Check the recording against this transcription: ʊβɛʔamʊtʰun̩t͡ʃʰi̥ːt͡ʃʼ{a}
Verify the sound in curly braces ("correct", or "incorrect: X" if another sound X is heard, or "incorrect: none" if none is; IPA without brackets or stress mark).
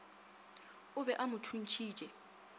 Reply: incorrect: ɛ